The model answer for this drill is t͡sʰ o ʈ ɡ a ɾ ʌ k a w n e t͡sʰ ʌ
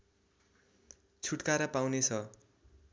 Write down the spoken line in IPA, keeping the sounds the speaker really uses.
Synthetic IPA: t͡sʰ u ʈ k a ɾ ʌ p a w n e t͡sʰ ʌ